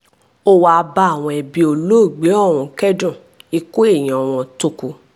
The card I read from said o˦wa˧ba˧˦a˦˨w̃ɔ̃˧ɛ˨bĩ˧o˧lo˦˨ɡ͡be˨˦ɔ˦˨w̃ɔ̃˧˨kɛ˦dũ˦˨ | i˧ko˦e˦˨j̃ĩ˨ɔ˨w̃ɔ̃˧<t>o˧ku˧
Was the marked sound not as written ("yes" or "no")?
no